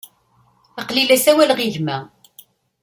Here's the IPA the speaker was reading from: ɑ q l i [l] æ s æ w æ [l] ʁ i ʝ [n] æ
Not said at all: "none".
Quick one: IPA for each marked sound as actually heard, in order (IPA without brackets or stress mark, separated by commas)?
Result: l, l, m